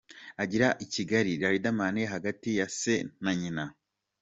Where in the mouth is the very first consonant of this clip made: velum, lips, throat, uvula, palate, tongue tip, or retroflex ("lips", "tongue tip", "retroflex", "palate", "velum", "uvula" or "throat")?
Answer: palate